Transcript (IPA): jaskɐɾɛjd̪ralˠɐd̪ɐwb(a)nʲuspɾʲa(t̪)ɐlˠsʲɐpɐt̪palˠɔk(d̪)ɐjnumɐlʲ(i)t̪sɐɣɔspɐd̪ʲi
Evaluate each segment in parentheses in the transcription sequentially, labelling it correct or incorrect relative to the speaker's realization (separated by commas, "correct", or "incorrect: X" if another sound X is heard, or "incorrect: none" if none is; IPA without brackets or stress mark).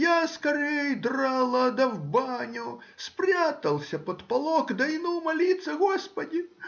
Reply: correct, correct, correct, correct